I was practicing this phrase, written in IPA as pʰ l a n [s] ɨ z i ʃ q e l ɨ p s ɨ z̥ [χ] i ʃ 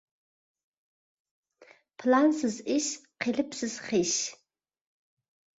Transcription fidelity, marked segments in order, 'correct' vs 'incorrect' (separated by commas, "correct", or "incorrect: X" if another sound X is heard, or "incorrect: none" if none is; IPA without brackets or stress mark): correct, correct